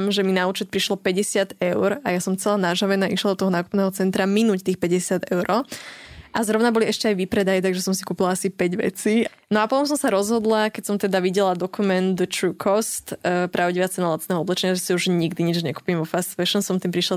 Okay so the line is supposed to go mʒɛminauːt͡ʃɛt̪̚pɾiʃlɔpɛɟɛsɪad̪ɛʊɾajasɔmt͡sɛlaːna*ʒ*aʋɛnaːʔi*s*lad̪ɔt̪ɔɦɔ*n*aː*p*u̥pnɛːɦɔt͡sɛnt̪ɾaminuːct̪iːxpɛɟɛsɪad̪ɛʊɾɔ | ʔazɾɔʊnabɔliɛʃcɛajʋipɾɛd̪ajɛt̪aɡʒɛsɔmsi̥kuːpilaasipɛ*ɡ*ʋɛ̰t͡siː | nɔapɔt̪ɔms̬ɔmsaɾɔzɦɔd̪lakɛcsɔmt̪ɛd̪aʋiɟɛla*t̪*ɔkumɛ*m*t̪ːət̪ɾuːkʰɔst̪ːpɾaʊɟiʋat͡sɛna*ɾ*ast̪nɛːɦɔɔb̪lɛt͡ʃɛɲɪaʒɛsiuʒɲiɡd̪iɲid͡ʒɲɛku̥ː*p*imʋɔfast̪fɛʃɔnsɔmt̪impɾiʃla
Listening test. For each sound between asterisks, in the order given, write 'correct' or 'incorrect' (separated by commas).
correct, incorrect, correct, incorrect, incorrect, incorrect, incorrect, incorrect, correct